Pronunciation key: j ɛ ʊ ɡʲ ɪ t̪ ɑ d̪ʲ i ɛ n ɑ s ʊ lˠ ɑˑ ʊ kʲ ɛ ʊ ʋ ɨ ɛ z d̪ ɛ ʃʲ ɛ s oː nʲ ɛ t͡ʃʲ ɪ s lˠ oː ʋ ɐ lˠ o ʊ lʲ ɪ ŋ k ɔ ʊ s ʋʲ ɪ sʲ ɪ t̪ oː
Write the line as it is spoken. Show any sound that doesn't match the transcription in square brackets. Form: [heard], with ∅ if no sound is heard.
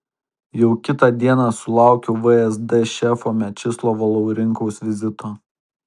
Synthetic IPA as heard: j ɛ ʊ [kʲ] ɪ t̪ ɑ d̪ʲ i ɛ n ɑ s ʊ lˠ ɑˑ ʊ kʲ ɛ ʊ ʋ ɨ ɛ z d̪ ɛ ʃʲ ɛ [f] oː [mʲ] ɛ t͡ʃʲ ɪ s lˠ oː ʋ ɐ lˠ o ʊ [ɾʲ] ɪ ŋ k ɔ ʊ s ʋʲ ɪ [zʲ] ɪ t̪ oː